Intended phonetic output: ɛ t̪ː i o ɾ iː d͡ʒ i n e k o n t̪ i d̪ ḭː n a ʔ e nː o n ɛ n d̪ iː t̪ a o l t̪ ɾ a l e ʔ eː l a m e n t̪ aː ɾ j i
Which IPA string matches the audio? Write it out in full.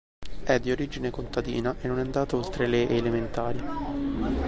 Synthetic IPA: ɛ d̪ː i o ɾ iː d͡ʒ i n e k o n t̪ a d̪ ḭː n a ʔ e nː o n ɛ n d̪ aː t̪ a o l t̪ ɾ e l e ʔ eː l e m e n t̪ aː ɾ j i